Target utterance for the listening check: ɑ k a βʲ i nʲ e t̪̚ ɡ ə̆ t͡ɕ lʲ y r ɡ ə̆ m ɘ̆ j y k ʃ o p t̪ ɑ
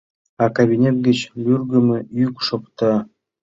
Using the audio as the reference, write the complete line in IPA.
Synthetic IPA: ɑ k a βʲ i nʲ e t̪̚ ɡ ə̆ t͡ɕ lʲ y r ɡ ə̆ m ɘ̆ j y k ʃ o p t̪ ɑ